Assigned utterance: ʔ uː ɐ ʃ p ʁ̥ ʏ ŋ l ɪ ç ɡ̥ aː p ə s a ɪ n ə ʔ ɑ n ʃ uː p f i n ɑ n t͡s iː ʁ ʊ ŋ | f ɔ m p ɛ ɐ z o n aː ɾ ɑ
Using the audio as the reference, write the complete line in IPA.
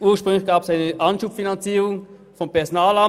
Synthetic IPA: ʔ uː ɐ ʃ p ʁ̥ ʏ ŋ l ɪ ç ɡ̥ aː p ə s a ɪ n ə ʔ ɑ n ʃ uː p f i n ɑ n t͡s iː ʁ ʊ ŋ | f ɔ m p ɛ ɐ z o n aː l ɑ